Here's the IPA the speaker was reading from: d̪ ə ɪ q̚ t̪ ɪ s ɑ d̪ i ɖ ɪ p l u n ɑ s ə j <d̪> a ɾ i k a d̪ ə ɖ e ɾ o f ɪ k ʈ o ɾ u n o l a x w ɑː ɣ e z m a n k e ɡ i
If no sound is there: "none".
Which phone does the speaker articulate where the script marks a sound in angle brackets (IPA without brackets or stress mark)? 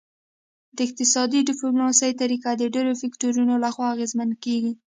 t̪